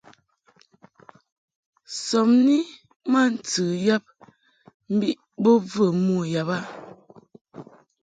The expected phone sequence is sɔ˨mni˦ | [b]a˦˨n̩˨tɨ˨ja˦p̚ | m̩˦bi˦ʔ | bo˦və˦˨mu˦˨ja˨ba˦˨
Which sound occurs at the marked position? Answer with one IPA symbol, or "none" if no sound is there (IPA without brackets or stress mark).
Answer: m